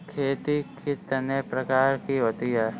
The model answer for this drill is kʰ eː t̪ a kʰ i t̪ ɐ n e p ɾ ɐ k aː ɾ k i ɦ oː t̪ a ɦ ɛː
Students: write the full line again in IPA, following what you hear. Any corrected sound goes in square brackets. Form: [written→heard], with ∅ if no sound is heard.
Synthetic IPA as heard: kʰ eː t̪ [a→i] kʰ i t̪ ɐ n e p ɾ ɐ k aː ɾ k i ɦ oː t̪ [a→i] ɦ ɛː